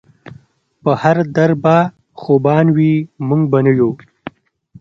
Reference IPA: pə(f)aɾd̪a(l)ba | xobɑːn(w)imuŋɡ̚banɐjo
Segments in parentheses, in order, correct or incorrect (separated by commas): incorrect, incorrect, correct